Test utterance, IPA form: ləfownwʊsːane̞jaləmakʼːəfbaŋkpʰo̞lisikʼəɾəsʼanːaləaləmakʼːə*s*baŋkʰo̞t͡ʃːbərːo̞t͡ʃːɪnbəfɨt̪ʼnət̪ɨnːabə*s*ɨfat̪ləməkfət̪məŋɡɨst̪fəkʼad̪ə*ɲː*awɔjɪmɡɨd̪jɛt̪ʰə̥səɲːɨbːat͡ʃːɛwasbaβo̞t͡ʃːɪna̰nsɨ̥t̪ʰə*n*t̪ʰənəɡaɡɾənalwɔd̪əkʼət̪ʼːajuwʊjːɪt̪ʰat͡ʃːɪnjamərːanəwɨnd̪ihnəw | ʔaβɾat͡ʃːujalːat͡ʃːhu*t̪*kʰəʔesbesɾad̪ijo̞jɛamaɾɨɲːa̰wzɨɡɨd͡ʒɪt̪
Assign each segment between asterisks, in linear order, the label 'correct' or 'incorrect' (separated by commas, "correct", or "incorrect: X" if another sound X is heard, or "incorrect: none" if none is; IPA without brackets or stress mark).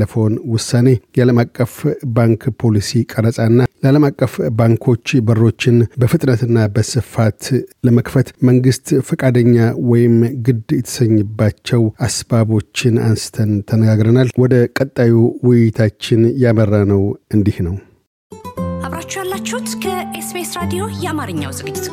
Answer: incorrect: f, correct, correct, correct, correct